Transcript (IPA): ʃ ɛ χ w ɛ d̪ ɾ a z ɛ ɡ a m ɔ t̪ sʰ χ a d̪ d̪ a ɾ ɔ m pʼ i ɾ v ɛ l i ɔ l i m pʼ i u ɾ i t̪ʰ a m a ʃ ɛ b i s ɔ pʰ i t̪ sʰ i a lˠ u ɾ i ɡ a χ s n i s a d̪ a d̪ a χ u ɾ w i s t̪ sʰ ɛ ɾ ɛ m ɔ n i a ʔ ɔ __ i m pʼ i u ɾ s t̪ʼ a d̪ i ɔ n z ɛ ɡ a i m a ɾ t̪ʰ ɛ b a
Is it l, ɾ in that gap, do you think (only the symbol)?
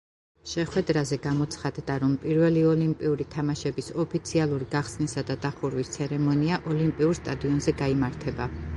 l